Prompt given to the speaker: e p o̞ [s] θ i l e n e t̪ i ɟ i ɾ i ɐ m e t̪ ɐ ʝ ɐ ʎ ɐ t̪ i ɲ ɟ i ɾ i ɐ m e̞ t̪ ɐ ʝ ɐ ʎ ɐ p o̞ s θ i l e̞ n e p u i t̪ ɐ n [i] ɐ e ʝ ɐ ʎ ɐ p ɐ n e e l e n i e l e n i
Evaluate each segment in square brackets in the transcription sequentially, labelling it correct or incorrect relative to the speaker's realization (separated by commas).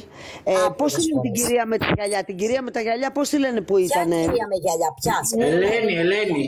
correct, incorrect